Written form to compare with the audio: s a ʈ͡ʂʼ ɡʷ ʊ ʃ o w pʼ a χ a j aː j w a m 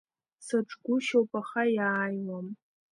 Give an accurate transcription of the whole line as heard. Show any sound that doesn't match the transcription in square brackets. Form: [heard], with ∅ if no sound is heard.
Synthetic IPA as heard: s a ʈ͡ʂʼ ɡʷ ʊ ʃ o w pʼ a χ a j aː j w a m